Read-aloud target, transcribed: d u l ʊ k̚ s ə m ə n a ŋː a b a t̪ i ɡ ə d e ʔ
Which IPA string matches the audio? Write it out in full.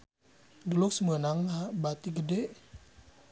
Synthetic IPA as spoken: d u l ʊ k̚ s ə m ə n a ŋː a b a t̪ i ɡ ə d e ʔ